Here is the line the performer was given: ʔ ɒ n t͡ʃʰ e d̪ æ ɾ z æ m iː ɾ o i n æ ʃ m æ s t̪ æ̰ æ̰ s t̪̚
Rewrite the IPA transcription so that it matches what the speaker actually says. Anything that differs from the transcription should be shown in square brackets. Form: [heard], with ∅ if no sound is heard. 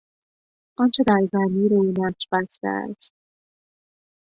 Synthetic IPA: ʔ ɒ n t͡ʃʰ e d̪ æ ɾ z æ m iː ɾ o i n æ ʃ [b] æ s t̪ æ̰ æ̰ s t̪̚